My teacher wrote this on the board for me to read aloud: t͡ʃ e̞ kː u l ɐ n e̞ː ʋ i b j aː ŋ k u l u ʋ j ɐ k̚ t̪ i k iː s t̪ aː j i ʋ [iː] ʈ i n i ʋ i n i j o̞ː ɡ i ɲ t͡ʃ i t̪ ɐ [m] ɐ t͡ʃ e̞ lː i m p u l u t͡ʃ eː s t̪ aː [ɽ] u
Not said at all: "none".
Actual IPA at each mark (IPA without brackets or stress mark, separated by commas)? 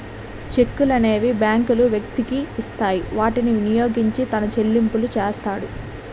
aː, n, ɽ